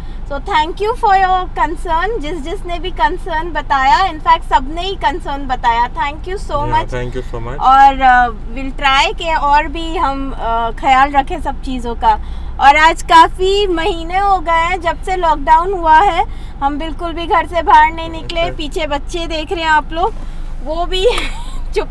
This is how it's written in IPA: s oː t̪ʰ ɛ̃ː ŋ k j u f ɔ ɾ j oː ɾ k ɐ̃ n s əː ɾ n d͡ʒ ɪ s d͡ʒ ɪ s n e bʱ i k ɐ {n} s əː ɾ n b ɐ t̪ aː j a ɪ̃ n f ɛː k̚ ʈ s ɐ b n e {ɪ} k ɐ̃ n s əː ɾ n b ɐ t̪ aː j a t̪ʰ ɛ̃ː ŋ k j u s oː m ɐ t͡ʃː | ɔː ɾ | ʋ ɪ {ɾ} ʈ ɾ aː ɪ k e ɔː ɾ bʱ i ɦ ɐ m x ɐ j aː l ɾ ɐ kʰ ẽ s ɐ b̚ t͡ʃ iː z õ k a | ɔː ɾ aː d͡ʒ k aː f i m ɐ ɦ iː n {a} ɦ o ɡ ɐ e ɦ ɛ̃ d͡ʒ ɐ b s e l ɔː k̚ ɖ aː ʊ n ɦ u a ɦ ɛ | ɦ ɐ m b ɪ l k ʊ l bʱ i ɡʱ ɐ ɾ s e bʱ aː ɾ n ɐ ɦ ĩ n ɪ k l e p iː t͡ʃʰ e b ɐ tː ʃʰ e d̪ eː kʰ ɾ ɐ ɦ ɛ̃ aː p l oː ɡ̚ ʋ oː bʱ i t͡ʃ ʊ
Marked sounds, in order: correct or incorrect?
correct, incorrect: i, incorrect: l, incorrect: e

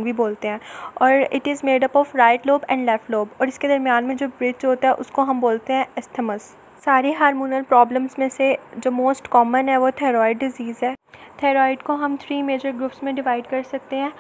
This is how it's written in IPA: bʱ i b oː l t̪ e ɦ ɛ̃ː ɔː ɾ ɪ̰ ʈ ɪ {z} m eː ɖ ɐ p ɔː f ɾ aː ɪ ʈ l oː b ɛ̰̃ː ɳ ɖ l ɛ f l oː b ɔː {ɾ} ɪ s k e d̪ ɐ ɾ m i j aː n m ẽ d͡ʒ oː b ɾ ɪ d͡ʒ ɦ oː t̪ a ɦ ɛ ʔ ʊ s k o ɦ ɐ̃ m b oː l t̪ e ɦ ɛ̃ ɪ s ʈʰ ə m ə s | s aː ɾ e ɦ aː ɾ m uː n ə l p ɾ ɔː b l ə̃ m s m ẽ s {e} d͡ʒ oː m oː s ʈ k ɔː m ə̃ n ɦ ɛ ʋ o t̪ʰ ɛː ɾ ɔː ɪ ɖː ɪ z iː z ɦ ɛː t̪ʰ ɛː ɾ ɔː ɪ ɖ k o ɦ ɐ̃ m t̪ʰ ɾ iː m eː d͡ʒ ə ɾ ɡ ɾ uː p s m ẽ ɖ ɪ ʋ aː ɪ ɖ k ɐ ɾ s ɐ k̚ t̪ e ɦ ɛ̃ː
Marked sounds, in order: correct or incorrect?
correct, correct, correct

